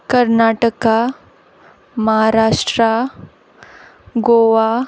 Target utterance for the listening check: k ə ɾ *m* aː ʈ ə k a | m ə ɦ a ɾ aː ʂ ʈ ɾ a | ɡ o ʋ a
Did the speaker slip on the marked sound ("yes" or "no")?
yes